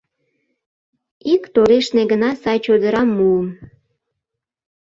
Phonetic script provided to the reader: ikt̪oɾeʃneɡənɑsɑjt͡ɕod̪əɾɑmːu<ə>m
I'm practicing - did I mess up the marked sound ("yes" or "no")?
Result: no